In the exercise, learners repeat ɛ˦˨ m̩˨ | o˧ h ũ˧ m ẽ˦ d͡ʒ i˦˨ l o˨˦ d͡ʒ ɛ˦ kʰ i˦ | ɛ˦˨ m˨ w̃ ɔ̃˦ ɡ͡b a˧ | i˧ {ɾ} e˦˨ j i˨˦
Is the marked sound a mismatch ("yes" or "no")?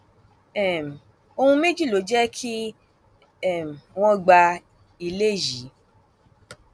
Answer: yes